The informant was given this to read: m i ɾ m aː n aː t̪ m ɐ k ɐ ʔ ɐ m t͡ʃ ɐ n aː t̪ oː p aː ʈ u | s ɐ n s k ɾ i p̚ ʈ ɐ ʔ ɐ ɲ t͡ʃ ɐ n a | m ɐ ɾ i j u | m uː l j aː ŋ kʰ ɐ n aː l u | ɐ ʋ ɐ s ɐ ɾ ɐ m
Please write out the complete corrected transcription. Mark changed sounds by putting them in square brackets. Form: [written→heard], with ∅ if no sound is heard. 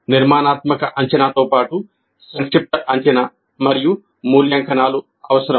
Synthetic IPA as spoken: [m→n] i ɾ m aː n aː t̪ m ɐ k ɐ ʔ ɐ [m→ɲ] t͡ʃ ɐ n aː t̪ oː p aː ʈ u | s ɐ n s k ɾ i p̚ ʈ ɐ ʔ ɐ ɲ t͡ʃ ɐ n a | m ɐ ɾ i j u | m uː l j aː ŋ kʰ ɐ n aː l u | ɐ ʋ ɐ s ɐ ɾ ɐ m